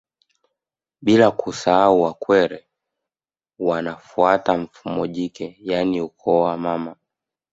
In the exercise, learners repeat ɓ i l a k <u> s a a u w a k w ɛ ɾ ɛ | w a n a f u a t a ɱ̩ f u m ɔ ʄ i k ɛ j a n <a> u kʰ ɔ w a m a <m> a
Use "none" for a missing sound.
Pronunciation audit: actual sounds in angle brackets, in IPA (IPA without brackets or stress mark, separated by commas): u, i, m